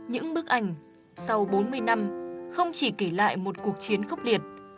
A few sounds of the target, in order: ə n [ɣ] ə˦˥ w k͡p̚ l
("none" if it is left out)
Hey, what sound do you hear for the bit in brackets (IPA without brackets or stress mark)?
x